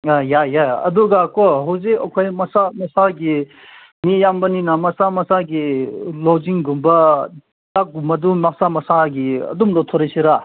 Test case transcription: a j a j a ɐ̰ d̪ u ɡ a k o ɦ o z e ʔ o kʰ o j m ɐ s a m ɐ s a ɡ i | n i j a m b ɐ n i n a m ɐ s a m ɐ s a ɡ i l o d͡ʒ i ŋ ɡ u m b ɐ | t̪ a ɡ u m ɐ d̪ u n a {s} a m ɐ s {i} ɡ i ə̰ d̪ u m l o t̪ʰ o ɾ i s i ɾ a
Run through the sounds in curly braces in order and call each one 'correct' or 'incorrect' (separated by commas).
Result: correct, incorrect